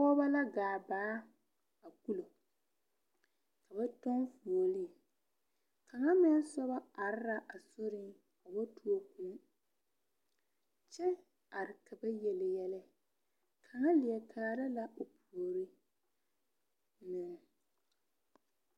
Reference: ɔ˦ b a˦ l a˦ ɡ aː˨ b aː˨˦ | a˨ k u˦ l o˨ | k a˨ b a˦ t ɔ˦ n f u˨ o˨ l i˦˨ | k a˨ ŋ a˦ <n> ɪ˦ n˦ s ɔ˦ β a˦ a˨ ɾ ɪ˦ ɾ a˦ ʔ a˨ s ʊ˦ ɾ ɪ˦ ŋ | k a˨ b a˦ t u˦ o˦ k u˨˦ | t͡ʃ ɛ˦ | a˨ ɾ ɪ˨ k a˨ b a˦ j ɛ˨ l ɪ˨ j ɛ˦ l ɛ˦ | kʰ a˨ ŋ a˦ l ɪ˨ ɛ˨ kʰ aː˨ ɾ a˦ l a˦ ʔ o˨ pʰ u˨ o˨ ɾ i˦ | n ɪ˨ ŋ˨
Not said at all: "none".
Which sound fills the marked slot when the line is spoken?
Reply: m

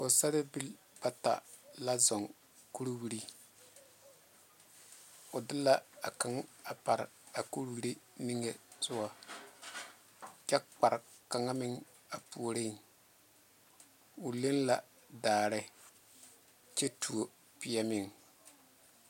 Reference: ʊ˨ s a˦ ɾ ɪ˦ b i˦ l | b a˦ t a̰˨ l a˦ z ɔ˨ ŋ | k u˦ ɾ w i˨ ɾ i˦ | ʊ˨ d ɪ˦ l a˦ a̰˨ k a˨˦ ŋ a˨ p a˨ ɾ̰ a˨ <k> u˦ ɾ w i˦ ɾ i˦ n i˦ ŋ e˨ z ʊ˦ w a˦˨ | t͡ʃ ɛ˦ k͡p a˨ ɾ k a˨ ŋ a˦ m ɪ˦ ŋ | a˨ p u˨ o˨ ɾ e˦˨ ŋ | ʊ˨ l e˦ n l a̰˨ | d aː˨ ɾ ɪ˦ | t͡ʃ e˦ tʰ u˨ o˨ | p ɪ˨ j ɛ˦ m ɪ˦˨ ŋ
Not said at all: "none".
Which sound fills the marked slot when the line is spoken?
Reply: k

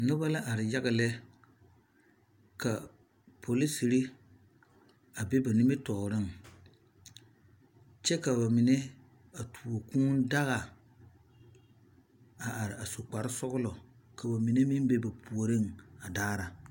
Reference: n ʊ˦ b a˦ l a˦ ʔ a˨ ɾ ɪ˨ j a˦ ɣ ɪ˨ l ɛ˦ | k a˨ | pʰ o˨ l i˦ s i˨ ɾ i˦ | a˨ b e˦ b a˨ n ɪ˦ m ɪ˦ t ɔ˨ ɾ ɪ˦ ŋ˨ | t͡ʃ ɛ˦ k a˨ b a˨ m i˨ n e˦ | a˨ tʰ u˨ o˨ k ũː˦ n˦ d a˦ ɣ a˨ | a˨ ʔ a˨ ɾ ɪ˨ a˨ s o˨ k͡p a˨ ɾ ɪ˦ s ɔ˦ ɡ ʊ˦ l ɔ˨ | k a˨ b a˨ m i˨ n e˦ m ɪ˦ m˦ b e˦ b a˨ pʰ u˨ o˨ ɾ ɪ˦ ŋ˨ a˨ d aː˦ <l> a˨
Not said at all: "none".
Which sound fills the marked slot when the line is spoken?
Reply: ɾ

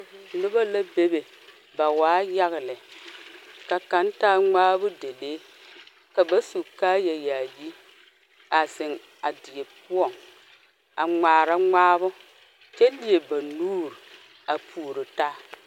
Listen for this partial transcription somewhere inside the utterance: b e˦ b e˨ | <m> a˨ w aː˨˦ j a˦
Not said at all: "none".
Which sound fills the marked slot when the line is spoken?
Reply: b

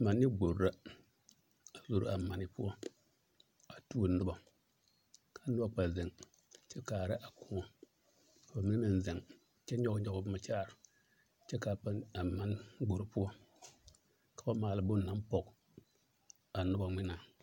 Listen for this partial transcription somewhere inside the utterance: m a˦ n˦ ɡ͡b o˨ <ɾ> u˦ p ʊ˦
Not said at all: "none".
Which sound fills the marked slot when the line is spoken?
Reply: ɾ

